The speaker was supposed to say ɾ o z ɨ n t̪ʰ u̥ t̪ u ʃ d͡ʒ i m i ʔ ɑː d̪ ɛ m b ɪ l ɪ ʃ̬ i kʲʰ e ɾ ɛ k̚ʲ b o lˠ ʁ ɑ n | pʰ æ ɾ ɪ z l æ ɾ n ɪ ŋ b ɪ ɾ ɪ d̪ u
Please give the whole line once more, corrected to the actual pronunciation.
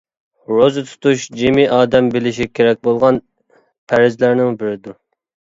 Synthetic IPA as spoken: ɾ o z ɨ t̪ʰ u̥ t̪ u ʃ d͡ʒ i m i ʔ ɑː d̪ ɛ m b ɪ l ɪ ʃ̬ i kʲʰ e ɾ ɛ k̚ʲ b o lˠ ʁ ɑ n | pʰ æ ɾ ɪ z l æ ɾ n ɪ ŋ b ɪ ɾ ɪ d̪ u